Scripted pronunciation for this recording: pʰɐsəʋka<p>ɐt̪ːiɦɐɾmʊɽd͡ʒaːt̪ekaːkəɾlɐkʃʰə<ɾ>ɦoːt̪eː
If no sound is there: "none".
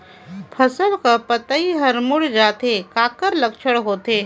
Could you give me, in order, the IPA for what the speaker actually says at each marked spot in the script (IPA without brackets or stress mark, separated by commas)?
p, ɽ